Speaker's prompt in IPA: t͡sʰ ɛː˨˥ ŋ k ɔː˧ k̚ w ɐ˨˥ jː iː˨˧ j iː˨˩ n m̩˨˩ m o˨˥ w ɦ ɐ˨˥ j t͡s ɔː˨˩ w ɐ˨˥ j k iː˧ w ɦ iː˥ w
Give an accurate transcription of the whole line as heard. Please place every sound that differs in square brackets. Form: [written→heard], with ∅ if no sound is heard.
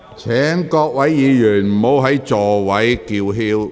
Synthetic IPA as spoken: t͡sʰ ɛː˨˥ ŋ k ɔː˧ k̚ w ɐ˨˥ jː iː˨˧ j [iː˨˩→yː˨˩] n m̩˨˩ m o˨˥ w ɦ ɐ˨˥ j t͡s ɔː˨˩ w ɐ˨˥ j k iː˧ w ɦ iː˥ w

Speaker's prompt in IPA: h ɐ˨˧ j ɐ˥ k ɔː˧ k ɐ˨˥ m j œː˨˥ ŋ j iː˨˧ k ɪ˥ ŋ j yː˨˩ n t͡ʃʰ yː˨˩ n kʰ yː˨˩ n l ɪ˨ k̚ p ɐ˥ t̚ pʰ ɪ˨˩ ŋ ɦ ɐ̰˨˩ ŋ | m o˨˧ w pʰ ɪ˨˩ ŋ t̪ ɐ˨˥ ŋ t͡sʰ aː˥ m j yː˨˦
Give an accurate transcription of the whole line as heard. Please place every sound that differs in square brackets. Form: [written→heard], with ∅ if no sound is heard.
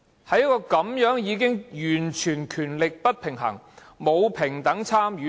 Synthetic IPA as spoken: h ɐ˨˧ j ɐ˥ k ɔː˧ k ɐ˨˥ m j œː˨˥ ŋ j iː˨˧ k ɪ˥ ŋ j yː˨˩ n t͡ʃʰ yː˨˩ n kʰ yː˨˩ n l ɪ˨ k̚ p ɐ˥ t̚ pʰ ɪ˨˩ ŋ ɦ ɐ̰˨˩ ŋ | m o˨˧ w pʰ ɪ˨˩ ŋ t̪ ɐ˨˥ ŋ t͡sʰ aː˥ m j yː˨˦

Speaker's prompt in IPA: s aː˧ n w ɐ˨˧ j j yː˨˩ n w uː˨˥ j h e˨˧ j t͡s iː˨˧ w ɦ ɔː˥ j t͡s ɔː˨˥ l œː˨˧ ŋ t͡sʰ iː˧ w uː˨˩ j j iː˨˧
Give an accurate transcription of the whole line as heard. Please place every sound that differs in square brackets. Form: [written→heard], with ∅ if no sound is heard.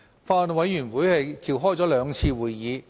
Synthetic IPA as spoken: [s→f] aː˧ n w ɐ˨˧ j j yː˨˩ n w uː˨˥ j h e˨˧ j t͡s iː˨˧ w ɦ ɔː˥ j t͡s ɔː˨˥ l œː˨˧ ŋ t͡sʰ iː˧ w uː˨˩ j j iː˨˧

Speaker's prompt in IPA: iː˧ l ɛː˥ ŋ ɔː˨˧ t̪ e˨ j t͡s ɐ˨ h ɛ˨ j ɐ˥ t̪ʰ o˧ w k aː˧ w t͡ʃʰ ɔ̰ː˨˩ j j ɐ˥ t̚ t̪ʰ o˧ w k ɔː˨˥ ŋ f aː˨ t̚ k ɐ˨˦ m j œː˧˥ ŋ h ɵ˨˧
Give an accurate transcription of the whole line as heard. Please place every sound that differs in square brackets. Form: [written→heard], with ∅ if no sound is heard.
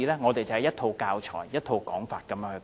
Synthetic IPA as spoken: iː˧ l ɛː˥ ŋ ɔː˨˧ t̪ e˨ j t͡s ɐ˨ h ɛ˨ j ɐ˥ t̪ʰ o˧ w k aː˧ w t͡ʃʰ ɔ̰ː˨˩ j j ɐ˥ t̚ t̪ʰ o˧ w k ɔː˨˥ ŋ f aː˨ t̚ k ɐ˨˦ m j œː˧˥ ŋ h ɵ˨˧

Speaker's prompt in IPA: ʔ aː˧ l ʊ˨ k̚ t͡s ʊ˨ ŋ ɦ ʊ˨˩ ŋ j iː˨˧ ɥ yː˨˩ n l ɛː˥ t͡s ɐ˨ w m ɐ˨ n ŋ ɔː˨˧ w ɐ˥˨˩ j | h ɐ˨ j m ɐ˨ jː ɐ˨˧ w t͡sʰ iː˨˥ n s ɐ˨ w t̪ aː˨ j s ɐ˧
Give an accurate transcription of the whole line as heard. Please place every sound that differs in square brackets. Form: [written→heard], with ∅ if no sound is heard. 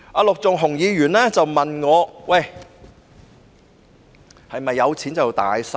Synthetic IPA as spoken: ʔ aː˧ l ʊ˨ k̚ t͡s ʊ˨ ŋ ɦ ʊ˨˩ ŋ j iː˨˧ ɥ yː˨˩ n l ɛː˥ t͡s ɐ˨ w m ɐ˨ n ŋ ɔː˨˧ w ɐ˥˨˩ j | h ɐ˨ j m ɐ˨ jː ɐ˨˧ w t͡sʰ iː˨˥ n [s→t͡s] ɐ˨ w t̪ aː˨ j s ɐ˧

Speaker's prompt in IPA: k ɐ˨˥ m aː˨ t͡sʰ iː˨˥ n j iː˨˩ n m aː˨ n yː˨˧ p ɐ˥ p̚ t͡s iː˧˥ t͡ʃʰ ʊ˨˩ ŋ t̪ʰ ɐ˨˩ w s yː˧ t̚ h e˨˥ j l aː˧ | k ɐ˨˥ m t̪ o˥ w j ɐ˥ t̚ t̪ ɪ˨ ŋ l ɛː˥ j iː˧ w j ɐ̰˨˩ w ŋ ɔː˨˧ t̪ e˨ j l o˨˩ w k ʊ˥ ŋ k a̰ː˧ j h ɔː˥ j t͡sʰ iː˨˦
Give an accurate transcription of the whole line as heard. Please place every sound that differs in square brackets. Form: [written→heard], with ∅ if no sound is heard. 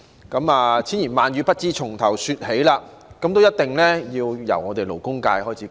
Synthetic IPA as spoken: k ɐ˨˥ m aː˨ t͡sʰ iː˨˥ n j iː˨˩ n m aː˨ n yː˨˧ p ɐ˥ [p̚→t̚] t͡s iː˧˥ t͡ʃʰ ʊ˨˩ ŋ t̪ʰ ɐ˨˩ w s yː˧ t̚ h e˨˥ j l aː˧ | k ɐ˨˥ m t̪ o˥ w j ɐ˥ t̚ t̪ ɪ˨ ŋ l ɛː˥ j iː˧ w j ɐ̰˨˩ w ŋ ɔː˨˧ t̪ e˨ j l o˨˩ w k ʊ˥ ŋ k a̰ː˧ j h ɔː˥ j t͡sʰ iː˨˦

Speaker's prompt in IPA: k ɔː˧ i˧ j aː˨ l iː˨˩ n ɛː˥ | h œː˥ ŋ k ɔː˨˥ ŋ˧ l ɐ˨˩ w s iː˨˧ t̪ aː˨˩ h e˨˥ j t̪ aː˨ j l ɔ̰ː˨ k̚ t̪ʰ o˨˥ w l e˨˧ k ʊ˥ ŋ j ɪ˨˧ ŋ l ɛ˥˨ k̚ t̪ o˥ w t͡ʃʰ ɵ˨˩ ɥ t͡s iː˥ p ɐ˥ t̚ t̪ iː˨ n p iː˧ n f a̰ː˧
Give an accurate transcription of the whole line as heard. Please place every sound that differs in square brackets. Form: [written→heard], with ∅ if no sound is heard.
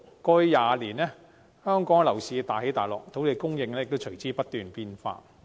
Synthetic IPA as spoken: k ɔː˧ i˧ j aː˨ l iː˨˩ n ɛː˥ | h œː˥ ŋ k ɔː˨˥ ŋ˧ l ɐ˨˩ w s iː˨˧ t̪ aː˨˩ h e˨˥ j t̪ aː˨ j l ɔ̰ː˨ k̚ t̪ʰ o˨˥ w l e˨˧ k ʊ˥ ŋ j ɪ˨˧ ŋ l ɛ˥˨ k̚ t̪ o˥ w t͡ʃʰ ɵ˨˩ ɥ t͡s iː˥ p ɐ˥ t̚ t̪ [iː˨→yː˨] n p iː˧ n f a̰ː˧

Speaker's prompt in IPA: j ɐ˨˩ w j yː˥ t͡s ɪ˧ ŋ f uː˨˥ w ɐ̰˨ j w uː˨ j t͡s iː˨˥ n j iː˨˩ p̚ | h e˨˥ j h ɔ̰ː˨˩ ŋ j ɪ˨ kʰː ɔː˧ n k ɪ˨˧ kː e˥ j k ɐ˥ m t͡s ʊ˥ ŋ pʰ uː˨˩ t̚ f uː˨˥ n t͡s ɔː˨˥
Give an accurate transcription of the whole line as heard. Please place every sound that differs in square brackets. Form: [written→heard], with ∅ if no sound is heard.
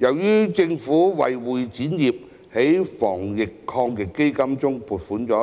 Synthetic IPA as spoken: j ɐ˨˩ w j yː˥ t͡s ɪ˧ ŋ f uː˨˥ w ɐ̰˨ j w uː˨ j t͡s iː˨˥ n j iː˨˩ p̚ | h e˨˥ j [h→f] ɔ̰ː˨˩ ŋ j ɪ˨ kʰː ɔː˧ [n→ŋ] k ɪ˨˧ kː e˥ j k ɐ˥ m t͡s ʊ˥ ŋ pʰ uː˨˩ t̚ f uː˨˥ n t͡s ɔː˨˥

